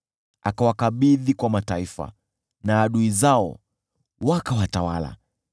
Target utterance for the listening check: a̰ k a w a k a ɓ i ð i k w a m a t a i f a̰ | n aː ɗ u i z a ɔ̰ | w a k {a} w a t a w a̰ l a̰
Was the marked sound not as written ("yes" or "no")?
no